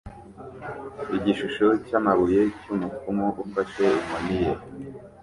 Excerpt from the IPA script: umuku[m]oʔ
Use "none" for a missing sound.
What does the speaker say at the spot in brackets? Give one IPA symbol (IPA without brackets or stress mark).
m